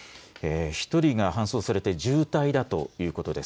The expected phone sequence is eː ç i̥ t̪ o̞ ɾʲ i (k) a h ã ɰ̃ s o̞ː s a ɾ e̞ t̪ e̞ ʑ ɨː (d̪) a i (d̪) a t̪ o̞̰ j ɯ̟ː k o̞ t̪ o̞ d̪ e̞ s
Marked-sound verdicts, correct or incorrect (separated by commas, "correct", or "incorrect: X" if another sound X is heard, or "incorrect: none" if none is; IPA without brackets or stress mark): incorrect: ɡ, incorrect: t̪, correct